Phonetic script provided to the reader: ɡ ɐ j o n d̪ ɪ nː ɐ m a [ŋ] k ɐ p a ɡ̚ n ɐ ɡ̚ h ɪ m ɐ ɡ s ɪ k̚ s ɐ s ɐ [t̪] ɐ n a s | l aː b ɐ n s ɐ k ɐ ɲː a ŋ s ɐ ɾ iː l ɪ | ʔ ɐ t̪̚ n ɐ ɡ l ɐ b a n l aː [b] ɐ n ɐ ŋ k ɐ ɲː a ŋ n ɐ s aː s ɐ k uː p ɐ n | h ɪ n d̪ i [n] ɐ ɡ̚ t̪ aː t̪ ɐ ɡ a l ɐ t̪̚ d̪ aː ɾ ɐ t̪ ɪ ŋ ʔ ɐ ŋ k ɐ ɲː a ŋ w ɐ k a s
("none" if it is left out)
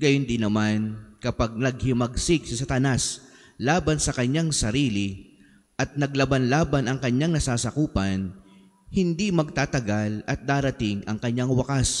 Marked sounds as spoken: n, t̪, b, m

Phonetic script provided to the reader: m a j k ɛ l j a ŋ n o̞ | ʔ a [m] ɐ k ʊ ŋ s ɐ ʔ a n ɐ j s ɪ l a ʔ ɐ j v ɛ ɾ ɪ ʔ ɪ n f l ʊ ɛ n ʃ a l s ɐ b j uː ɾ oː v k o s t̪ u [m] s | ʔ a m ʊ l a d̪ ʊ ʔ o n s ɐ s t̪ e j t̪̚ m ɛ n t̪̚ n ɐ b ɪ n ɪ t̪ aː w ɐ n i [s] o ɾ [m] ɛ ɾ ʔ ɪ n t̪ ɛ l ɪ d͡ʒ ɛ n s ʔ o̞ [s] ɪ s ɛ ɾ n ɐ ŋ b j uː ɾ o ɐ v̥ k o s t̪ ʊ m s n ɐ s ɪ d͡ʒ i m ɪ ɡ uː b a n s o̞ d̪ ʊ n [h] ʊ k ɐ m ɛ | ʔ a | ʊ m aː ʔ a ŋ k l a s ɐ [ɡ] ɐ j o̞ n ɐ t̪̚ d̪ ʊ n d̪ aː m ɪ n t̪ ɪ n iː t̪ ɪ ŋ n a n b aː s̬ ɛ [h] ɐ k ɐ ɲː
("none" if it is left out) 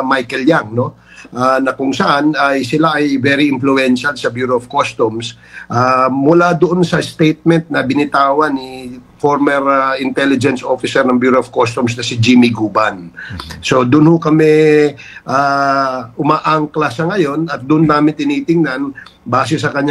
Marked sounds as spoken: n, m, f, m, f, h, ŋ, s

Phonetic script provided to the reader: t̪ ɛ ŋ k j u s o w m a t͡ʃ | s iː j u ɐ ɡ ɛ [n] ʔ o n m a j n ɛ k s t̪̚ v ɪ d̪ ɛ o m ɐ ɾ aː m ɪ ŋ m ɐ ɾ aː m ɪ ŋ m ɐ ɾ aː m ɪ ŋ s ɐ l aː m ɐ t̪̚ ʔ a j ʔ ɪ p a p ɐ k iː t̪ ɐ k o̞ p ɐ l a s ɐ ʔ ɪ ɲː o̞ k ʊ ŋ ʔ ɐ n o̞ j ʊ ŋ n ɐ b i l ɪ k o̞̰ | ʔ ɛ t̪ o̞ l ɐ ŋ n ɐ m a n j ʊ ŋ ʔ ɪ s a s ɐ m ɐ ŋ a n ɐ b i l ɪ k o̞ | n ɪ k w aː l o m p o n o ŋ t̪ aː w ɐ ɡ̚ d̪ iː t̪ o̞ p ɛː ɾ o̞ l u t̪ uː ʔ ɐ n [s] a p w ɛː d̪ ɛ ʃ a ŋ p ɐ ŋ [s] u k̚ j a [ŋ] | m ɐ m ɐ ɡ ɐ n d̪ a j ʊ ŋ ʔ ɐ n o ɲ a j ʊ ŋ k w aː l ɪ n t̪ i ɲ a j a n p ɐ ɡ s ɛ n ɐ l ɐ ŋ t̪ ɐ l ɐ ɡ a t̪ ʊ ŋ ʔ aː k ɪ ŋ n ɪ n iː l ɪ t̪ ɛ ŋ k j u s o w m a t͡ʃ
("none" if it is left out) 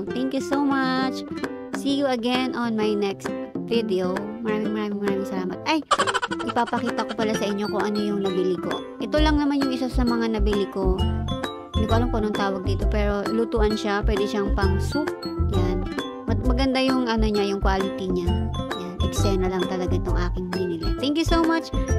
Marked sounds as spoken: n, ʃ, s, n

